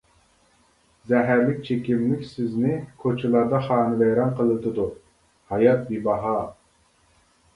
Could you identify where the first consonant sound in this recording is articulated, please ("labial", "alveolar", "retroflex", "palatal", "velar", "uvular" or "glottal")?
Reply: alveolar